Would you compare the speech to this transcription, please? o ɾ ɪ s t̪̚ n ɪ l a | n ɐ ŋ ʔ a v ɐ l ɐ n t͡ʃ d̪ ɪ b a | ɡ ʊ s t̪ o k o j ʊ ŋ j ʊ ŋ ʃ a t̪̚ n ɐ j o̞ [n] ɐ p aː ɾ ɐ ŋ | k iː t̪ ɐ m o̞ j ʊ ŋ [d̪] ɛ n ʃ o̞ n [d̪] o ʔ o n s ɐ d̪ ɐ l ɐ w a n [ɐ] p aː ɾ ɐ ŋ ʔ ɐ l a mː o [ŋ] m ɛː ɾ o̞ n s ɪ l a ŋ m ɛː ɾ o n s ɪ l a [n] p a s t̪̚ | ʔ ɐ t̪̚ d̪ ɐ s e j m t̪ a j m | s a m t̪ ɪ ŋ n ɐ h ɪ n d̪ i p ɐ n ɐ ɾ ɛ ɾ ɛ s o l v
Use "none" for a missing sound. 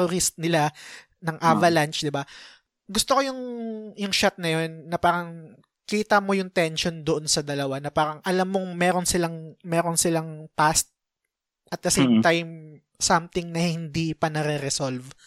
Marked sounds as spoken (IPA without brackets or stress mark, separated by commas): nː, t̪, d̪, ɐ, ŋ, ŋ